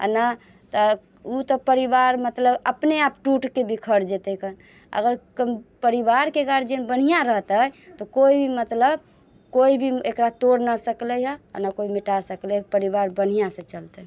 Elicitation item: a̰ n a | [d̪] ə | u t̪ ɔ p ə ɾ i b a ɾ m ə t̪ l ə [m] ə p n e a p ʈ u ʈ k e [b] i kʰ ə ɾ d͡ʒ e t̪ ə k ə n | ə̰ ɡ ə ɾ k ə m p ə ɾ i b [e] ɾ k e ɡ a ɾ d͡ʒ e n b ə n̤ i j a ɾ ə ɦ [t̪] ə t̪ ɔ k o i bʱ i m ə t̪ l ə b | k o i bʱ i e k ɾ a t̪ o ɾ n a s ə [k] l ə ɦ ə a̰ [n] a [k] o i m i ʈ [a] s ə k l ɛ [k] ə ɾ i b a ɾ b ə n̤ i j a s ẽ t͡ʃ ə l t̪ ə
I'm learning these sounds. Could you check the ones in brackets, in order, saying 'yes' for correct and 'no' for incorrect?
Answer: no, no, yes, no, yes, yes, yes, yes, yes, no

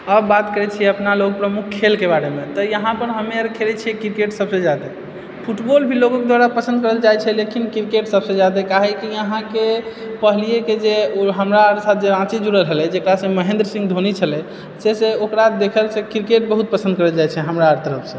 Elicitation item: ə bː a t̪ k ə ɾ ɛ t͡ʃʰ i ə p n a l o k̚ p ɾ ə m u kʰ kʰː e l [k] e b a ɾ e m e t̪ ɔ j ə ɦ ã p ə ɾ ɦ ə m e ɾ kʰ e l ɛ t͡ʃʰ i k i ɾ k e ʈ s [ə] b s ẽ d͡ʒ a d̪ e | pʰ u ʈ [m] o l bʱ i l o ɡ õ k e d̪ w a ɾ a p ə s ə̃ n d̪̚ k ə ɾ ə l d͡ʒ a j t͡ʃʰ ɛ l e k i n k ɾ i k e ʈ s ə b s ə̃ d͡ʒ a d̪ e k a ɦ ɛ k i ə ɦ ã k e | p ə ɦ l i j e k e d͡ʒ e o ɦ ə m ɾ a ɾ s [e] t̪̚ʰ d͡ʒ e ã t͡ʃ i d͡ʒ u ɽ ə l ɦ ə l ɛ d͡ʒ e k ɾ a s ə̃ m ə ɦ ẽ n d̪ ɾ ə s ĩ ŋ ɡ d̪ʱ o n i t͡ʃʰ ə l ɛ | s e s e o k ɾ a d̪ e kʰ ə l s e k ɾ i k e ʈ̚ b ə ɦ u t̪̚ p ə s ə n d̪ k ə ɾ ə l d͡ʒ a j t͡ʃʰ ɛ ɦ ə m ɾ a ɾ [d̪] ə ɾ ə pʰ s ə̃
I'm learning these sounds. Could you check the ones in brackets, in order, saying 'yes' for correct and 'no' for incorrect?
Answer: yes, yes, no, no, no

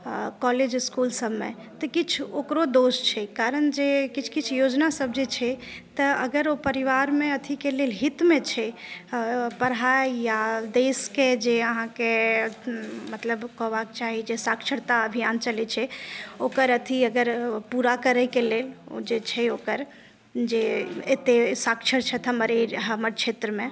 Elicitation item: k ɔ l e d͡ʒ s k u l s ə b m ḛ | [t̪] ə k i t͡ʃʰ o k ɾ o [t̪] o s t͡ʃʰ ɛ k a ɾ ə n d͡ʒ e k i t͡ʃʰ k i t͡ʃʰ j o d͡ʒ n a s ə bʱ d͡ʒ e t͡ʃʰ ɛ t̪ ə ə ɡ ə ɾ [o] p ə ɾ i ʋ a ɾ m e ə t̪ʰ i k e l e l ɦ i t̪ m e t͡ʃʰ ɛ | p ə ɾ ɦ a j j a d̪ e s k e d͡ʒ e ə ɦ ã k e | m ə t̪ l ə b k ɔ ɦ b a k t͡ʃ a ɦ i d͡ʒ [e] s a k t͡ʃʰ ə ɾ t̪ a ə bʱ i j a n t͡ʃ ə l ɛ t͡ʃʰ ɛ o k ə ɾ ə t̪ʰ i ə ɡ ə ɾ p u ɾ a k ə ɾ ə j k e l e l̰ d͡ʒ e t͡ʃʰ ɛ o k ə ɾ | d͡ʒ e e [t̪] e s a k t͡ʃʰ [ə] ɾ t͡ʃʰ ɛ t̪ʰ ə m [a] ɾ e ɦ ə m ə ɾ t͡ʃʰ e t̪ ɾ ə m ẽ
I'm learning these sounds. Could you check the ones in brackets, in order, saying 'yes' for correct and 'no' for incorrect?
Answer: yes, no, yes, yes, yes, yes, no

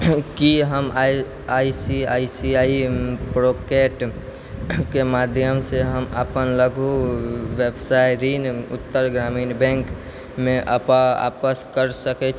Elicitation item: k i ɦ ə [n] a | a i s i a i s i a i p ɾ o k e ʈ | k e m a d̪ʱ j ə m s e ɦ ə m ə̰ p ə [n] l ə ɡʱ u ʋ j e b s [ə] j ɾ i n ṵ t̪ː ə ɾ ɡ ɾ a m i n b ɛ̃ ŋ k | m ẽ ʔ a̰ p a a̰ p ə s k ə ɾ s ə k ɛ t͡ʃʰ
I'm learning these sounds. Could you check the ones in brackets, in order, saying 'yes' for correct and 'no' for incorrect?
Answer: no, yes, no

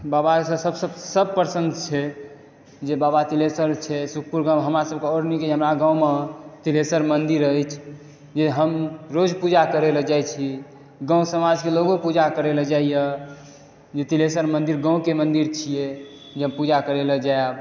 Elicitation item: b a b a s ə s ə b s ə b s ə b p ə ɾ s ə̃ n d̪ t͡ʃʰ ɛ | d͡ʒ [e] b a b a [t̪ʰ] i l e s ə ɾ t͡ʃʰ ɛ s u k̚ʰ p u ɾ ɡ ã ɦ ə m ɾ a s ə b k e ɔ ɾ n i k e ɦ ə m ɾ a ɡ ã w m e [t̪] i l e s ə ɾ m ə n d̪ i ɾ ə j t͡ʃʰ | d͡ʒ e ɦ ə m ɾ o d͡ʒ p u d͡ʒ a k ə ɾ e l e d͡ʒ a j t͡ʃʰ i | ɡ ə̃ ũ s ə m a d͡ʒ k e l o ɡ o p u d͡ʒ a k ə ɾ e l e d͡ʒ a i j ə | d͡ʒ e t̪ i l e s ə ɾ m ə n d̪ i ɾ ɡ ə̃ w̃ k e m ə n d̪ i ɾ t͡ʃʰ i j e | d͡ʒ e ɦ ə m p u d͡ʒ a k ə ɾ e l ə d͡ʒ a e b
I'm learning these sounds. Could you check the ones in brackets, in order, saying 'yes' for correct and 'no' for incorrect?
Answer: yes, no, yes

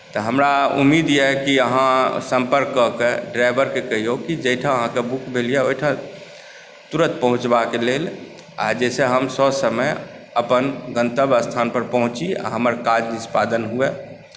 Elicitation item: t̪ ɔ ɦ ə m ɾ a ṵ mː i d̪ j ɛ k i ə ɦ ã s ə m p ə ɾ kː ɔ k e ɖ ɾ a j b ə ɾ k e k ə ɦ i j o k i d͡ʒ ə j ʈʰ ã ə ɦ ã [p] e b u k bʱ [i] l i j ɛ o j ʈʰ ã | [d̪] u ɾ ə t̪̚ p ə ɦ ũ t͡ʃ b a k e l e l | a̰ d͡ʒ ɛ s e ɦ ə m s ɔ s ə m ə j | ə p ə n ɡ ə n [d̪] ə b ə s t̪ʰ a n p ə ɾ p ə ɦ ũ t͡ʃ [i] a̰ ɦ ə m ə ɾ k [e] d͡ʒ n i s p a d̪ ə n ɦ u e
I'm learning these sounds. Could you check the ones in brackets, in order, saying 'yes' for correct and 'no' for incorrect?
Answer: no, no, no, no, yes, no

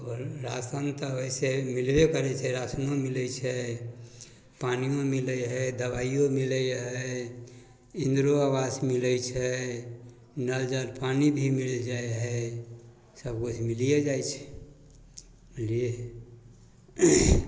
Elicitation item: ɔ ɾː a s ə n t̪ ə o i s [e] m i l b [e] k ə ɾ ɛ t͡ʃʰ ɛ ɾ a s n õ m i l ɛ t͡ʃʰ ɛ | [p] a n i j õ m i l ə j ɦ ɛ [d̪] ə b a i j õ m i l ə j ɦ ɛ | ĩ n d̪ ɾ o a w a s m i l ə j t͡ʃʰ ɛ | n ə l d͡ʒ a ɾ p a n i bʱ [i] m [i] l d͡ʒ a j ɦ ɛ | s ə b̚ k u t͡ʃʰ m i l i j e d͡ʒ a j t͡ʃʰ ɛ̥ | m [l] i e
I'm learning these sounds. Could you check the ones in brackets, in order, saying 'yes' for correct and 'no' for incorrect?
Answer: yes, yes, yes, yes, yes, yes, yes

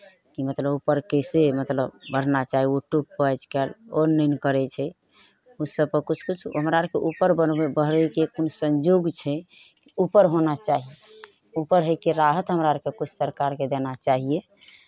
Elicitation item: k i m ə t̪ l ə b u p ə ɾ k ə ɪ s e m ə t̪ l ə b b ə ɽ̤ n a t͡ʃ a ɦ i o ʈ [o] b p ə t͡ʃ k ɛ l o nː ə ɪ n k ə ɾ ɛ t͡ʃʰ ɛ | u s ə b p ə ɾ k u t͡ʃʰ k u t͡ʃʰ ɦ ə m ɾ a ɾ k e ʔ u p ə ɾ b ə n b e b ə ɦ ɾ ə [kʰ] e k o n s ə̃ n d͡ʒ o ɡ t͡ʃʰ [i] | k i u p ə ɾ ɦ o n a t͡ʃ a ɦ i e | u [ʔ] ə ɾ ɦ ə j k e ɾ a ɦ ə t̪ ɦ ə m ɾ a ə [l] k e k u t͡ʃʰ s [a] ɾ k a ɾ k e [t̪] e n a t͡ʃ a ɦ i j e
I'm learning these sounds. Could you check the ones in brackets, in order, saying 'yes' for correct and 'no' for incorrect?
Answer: no, no, no, no, no, no, no

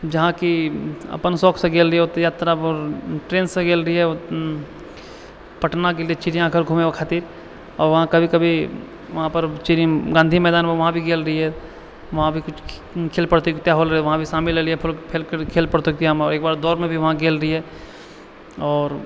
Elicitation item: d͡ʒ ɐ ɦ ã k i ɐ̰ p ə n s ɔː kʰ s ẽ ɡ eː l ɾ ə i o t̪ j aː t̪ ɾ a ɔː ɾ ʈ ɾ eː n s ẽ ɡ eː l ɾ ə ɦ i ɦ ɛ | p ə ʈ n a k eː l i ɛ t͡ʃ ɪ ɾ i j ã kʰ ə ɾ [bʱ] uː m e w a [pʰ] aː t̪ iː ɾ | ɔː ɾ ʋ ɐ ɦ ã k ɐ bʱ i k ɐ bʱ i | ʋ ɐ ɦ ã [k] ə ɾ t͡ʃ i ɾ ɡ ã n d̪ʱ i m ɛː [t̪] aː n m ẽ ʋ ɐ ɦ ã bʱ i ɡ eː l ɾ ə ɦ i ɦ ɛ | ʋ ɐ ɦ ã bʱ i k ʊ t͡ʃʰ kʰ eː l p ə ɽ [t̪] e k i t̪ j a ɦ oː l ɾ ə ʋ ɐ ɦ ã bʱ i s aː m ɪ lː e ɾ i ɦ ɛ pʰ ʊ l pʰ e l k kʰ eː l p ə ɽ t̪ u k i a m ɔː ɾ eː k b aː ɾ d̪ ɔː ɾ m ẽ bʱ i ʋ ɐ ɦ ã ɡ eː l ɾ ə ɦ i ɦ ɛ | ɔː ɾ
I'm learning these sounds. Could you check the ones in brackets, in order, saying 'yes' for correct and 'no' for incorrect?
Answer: no, no, no, no, yes

